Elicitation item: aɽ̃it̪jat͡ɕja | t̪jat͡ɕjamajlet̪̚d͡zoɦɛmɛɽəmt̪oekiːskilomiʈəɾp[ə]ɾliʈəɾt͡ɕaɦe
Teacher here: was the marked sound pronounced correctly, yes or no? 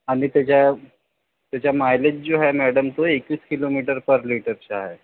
yes